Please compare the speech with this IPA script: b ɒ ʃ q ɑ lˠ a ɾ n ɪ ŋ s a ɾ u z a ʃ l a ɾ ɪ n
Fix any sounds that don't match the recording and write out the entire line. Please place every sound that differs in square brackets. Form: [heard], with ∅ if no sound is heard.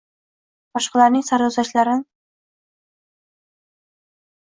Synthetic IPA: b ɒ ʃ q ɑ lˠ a ɾ n ɪ ŋ s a ɾ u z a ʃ l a ɾ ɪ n